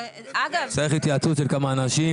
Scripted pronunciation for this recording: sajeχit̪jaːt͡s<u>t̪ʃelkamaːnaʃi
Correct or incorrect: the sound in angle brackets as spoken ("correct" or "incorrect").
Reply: correct